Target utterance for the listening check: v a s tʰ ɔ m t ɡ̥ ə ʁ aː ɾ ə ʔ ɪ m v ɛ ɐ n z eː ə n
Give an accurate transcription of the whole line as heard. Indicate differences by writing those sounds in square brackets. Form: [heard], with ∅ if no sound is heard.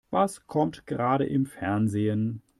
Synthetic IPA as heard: v a s [kʰ] ɔ m t ɡ̥ ə ʁ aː ɾ ə ʔ ɪ m [f] ɛ ɐ n z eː ə n